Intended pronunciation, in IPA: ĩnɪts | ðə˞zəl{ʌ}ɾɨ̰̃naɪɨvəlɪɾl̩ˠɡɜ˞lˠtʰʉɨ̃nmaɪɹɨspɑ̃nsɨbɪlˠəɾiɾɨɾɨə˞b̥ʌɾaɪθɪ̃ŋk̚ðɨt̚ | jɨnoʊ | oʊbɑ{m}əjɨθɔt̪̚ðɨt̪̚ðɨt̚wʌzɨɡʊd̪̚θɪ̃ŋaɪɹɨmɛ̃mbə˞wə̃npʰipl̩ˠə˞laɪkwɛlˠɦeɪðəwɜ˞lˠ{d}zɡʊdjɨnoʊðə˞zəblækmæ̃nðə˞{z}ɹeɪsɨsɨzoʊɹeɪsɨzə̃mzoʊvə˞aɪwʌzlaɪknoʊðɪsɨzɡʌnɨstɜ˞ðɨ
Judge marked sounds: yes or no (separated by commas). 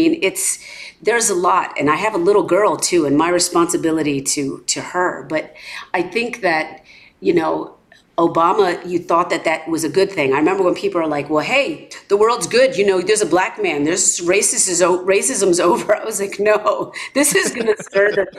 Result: no, yes, yes, yes